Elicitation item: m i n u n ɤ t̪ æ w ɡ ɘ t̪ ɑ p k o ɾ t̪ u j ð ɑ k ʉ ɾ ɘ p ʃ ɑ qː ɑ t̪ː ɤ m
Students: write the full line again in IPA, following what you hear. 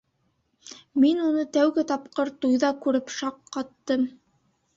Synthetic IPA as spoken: m i n u n ɤ t̪ æ w ɡ ɘ t̪ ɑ p q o ɾ t̪ u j ð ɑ k ʉ ɾ ɘ p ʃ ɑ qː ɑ t̪ː ɤ m